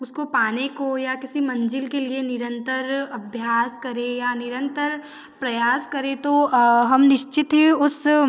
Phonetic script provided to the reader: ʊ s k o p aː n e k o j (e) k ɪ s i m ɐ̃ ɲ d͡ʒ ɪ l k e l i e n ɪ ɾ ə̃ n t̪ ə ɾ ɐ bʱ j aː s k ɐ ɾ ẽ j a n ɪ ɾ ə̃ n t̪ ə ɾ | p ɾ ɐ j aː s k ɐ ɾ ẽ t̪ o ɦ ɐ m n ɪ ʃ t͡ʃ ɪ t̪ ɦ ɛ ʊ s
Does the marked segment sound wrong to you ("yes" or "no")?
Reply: yes